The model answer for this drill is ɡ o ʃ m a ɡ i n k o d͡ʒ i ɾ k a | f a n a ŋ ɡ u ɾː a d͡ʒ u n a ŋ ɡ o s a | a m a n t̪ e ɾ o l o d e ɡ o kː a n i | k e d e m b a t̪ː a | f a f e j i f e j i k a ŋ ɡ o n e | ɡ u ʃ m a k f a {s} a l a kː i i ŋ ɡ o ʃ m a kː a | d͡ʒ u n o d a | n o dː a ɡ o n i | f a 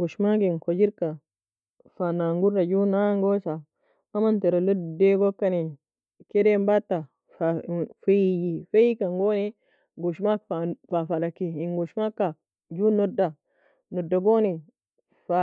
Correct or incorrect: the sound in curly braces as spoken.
incorrect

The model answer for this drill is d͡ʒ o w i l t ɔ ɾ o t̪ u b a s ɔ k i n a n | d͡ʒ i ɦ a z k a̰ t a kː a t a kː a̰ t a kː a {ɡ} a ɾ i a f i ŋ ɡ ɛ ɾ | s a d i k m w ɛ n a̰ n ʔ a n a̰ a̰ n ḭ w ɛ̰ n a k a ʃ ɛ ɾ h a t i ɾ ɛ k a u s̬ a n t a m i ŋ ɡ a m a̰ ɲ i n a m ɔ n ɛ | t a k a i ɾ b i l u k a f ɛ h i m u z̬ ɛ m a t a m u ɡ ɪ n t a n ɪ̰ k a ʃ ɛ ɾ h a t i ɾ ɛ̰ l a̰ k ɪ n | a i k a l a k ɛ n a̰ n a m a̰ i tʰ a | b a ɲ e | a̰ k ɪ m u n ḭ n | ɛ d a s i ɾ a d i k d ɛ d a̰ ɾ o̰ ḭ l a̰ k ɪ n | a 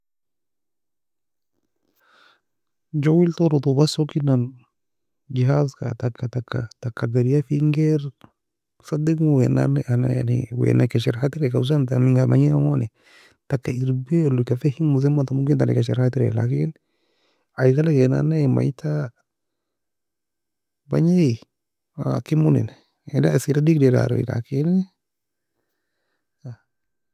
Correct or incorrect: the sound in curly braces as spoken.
correct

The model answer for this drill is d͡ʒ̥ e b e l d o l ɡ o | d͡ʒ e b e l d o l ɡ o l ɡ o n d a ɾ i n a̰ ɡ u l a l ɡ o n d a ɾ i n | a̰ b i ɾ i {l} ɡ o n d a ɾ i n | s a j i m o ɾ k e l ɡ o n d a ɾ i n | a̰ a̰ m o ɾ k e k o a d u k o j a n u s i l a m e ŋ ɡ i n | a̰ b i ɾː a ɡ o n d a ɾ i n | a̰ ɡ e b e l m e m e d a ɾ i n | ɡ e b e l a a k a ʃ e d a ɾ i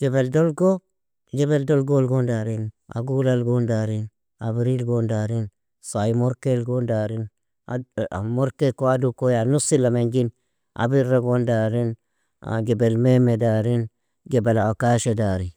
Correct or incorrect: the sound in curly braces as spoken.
correct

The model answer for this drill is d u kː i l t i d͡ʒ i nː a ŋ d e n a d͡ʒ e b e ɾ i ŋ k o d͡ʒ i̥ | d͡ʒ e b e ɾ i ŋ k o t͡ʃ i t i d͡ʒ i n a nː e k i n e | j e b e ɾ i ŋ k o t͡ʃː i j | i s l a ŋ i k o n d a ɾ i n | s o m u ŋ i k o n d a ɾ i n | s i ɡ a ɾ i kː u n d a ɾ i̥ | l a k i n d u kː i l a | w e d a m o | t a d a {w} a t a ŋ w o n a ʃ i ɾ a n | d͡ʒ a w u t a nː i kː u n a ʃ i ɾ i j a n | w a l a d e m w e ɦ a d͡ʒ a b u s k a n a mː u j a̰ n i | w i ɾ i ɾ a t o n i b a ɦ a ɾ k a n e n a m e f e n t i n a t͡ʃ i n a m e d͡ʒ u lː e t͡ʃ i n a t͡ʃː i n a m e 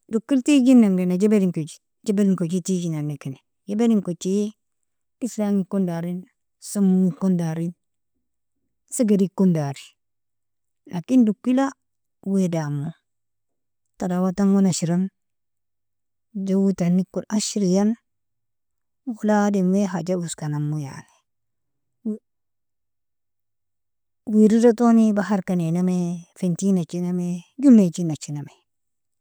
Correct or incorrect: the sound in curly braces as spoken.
correct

